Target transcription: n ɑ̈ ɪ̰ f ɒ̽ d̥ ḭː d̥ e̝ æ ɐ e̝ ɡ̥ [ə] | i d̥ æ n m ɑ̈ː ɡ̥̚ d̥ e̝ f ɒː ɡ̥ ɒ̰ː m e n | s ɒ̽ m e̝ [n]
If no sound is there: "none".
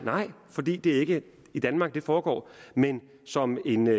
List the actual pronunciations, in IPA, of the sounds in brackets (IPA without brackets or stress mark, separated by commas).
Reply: ə, n